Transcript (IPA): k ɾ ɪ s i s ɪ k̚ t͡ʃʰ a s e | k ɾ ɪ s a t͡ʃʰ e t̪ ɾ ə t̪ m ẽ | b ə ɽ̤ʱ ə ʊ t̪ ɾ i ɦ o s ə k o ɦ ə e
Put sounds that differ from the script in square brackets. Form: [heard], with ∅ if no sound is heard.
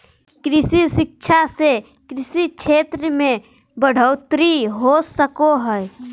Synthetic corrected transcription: k ɾ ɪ s i s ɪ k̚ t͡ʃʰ a s e | k ɾ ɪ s [i] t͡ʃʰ e t̪ ɾ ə [∅] m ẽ | b ə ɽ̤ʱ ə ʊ t̪ ɾ i ɦ o s ə k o ɦ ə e